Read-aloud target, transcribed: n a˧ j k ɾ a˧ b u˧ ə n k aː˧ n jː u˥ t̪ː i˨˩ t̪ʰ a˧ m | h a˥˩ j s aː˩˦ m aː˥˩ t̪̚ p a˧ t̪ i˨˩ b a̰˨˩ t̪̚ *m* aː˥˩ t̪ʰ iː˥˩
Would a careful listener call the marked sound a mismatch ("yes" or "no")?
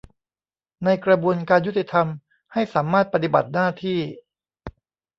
yes